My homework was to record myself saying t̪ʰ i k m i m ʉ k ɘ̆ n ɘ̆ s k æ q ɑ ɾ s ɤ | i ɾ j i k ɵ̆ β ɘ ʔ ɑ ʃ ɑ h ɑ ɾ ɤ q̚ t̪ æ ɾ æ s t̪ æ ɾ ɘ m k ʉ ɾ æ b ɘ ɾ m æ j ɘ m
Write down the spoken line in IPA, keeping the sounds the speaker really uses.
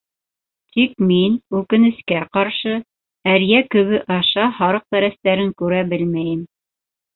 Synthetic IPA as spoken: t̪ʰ i k m i n ʉ k ɘ̆ n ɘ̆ s k æ q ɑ ɾ ʃ ɤ | æ ɾ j æ k ɵ̆ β ɘ ʔ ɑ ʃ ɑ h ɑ ɾ ɤ q̚ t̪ æ ɾ æ s t̪ æ ɾ ɘ ŋ k ʉ ɾ æ b ɘ l m æ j ɘ m